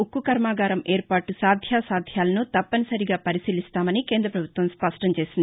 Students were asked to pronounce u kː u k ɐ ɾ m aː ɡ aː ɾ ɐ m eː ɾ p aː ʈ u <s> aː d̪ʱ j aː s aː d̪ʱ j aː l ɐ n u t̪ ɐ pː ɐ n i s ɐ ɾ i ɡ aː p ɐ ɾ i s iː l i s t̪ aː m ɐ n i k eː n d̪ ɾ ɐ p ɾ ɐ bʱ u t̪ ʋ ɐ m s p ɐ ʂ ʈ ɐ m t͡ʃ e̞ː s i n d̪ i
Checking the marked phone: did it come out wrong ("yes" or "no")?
no